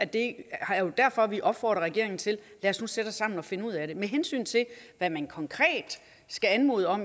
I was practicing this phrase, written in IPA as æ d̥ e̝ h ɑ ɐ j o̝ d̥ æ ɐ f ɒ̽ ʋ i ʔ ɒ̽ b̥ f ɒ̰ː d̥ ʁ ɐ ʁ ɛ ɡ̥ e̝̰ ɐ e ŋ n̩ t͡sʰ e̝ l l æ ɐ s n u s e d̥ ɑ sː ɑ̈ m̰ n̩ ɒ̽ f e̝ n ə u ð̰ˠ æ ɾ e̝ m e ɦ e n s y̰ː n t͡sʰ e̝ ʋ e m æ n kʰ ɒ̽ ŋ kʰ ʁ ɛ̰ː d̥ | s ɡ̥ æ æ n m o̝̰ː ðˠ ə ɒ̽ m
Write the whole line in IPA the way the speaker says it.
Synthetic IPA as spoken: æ d̥ e̝ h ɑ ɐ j o̝ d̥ æ ɐ f ɒ̽ ʋ i ʔ ɒ̽ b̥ f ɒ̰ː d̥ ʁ ɐ ʁ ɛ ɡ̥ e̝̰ ɐ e ŋ n̩ t͡sʰ e̝ l l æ ɐ s n u s e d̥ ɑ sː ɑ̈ m̰ n̩ ɒ̽ f e̝ n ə u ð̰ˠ æ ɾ e̝ m e ɦ e n s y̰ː n t͡sʰ e̝ ʋ æ m æ n kʰ ɒ̽ ŋ kʰ ʁ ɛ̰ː d̥ | s ɡ̥ æ æ n m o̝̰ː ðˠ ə ɒ̽ m